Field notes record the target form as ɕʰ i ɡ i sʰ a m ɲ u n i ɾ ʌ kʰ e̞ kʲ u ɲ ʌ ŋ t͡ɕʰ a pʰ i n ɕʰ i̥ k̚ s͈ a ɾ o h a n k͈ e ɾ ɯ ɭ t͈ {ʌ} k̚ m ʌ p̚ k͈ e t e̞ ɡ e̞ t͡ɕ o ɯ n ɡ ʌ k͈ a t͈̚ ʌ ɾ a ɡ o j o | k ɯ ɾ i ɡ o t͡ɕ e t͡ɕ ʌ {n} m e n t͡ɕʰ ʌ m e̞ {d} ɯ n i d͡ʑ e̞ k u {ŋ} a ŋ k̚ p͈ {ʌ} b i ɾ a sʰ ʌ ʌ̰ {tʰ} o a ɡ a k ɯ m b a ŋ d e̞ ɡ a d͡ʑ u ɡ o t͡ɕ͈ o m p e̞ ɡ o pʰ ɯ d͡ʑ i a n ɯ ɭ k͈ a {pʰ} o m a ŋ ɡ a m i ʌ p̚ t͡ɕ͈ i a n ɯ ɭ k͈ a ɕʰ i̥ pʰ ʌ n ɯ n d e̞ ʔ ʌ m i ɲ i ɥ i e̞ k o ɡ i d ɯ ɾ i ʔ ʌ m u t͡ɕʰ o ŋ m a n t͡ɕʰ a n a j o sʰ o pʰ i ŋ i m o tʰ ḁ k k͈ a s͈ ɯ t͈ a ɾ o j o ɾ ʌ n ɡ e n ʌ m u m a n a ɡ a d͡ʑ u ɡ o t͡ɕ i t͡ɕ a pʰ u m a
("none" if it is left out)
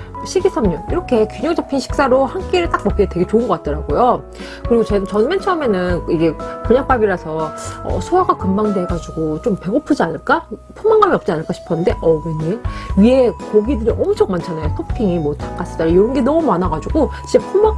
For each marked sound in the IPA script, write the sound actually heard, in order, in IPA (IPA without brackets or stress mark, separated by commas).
a, n, n, ɲ, a, sʰ, pʰ